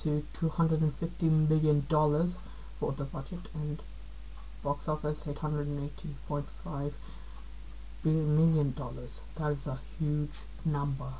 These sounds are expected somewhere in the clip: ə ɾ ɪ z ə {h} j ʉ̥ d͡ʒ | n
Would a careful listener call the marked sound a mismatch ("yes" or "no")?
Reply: no